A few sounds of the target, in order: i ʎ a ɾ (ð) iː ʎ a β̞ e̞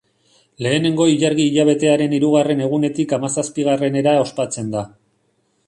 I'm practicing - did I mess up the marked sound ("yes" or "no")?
yes